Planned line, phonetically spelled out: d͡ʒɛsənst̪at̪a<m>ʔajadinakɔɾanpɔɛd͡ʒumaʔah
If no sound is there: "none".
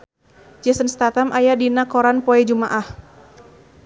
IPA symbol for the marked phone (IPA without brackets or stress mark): m